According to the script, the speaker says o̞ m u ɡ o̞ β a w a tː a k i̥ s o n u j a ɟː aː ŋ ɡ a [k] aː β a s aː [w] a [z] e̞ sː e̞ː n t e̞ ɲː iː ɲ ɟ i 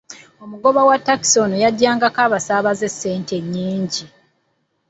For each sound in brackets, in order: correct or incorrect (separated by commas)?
correct, incorrect, correct